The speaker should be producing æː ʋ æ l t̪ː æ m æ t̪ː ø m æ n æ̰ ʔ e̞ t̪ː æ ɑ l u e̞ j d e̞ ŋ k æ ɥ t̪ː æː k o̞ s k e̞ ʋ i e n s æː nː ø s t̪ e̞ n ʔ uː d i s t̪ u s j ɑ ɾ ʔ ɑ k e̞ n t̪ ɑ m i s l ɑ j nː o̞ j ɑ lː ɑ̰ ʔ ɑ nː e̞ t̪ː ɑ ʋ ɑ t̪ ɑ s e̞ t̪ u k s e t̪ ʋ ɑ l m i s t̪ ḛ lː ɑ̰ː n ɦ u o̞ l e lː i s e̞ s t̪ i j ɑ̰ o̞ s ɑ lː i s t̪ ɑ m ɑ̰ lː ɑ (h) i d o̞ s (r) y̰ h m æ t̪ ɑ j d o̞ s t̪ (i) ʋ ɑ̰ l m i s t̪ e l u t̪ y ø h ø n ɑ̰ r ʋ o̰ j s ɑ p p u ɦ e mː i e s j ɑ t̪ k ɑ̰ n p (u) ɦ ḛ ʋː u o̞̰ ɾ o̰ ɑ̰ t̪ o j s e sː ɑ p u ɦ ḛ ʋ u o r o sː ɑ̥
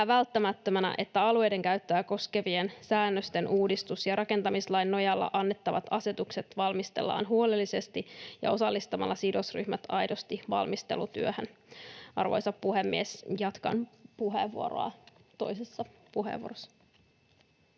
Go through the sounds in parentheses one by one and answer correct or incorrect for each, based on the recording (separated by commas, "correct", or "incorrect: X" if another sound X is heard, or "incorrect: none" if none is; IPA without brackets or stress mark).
incorrect: s, correct, correct, correct